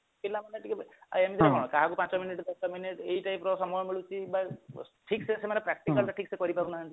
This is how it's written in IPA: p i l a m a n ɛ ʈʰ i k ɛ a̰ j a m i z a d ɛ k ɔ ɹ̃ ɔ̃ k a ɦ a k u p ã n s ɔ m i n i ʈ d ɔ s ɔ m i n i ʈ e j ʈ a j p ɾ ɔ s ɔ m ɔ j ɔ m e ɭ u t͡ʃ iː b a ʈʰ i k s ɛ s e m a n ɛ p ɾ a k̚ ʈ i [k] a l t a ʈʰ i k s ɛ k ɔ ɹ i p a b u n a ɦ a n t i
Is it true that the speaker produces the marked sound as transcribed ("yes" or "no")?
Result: yes